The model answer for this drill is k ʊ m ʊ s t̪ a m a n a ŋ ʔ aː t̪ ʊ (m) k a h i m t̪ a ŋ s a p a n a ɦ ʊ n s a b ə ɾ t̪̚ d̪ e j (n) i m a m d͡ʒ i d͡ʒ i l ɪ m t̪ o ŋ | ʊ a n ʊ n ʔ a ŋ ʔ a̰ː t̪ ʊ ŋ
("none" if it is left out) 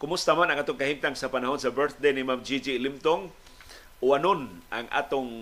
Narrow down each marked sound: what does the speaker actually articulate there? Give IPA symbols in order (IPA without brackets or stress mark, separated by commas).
ŋ, n